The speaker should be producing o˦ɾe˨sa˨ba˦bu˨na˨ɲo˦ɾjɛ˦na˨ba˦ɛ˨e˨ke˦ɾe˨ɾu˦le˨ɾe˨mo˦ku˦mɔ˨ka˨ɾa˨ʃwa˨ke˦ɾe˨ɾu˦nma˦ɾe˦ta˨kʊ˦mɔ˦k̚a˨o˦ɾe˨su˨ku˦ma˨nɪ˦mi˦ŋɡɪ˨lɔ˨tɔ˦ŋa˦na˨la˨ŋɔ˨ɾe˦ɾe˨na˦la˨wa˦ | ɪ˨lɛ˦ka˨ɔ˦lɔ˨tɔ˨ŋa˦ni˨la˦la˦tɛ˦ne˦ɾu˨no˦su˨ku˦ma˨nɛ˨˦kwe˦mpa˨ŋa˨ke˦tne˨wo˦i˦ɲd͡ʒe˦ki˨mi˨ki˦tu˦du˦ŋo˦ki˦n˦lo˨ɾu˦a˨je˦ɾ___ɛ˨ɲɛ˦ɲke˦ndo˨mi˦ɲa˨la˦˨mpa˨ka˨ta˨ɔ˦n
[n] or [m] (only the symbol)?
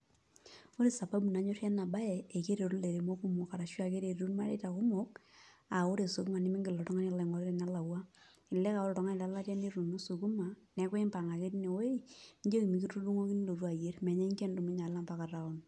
m